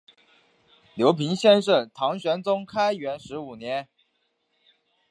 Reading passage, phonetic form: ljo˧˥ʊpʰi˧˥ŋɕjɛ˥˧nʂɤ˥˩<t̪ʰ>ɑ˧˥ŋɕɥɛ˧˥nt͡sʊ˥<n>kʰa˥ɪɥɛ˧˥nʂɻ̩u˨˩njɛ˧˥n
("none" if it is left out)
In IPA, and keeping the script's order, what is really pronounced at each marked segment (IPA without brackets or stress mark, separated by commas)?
t̪ʰ, ŋ